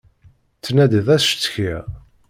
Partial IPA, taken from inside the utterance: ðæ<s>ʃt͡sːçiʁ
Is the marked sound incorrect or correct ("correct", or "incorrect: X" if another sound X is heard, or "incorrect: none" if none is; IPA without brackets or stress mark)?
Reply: correct